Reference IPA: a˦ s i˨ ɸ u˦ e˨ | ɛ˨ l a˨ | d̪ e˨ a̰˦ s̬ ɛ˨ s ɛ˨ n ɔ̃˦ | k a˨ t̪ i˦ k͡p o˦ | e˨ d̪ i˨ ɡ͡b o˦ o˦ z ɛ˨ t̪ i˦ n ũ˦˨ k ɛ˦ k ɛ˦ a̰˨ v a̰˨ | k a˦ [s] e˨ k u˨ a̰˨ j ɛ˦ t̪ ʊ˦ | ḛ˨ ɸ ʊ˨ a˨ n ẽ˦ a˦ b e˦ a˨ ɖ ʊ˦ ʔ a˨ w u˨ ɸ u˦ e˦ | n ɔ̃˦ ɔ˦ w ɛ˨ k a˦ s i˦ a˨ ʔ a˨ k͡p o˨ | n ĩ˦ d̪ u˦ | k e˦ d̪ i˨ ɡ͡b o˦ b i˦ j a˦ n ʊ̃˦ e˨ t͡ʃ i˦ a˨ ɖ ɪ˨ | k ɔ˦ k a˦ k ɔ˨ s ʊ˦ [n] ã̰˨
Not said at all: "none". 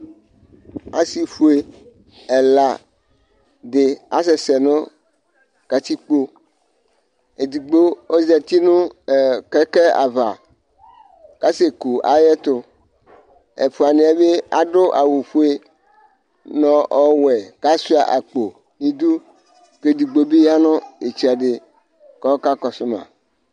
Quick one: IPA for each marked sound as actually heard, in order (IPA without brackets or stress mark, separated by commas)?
s, m